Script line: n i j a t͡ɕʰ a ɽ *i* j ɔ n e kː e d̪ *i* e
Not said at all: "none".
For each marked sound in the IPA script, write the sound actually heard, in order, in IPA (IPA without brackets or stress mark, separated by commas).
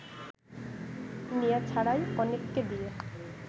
a, i